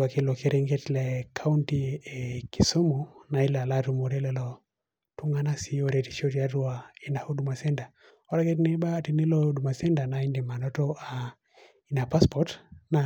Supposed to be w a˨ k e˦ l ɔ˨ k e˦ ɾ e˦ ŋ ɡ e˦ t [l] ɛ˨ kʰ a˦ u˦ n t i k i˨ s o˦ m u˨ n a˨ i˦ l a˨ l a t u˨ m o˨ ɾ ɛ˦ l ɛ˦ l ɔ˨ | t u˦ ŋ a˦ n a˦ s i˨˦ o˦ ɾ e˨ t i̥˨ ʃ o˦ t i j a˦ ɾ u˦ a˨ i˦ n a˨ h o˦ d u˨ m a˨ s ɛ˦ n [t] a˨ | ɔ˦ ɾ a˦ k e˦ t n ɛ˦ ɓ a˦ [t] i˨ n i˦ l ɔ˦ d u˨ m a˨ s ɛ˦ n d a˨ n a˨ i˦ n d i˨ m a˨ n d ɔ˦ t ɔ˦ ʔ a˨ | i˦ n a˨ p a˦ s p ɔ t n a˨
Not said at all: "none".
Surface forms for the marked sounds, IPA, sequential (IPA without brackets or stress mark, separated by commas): l, d, t